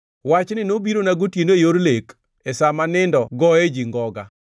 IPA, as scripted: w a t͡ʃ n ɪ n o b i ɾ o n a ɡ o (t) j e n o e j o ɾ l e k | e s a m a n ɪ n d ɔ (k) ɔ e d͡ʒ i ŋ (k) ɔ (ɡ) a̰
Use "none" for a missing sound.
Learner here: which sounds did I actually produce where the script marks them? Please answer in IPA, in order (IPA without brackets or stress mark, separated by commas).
t, ɡ, ɡ, ɡ